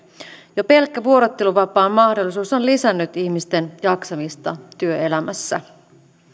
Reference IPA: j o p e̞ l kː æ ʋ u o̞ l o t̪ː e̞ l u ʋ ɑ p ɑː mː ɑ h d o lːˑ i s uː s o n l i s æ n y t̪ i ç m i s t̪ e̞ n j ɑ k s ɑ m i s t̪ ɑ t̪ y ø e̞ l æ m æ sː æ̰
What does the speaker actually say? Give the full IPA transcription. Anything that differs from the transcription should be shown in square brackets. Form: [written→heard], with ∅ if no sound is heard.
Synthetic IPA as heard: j o p e̞ l kː æ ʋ u o̞ [l→ɾ] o t̪ː e̞ l u ʋ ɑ p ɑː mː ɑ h d o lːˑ i s uː s o n l i s æ [n→nː] y t̪ i ç m i s t̪ e̞ n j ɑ k s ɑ m i s t̪ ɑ t̪ y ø e̞ l æ m æ sː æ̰